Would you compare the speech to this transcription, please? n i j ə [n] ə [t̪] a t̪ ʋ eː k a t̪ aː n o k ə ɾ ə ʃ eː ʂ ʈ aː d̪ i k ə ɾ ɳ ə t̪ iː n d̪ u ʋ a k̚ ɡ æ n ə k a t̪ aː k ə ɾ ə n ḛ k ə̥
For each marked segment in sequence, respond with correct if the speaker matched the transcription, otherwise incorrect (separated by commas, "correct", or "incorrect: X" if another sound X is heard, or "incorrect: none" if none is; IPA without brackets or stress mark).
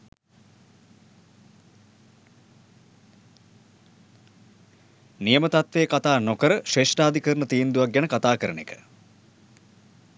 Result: incorrect: m, correct